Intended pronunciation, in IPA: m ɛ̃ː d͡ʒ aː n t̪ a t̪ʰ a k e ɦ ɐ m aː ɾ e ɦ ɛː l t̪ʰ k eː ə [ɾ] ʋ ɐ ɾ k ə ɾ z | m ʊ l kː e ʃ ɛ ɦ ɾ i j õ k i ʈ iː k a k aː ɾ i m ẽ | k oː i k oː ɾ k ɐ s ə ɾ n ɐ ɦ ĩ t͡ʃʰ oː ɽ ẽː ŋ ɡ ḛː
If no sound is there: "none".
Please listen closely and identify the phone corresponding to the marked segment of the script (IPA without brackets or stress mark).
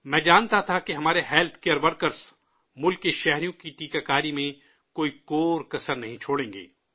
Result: ɾ